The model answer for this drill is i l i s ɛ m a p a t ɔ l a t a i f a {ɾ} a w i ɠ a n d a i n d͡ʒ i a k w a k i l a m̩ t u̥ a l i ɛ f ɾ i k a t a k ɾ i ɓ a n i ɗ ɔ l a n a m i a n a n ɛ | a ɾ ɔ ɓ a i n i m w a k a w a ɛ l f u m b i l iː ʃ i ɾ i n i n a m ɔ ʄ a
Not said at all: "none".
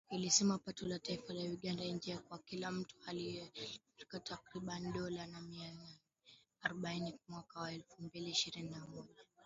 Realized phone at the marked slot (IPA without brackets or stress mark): l